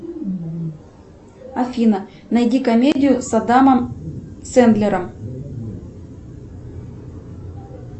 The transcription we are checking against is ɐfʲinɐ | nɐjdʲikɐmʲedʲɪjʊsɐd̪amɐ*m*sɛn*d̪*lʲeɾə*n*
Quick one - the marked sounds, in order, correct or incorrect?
correct, correct, incorrect: m

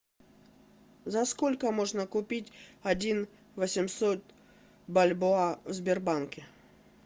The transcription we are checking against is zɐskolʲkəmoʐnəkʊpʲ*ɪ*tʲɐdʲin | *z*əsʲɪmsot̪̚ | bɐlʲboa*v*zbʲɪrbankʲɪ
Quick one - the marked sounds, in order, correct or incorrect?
incorrect: i, incorrect: v, correct

